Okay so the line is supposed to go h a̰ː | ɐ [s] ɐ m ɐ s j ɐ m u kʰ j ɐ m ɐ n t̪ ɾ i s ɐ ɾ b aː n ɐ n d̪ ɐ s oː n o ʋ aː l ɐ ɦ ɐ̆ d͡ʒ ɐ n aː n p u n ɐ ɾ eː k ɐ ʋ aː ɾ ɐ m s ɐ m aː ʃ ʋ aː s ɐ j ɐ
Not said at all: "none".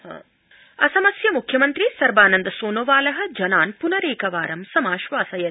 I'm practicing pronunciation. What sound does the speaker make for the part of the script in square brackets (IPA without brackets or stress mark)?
s